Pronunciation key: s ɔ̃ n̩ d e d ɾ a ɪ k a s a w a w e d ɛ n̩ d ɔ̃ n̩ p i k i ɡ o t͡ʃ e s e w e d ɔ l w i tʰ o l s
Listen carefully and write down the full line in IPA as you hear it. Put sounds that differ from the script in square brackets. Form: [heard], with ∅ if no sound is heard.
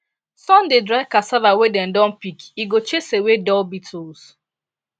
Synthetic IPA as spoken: s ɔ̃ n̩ d e d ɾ a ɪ k a s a [v] a w e d ɛ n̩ d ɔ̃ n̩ p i k i ɡ o t͡ʃ e s e w e d ɔ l [b] i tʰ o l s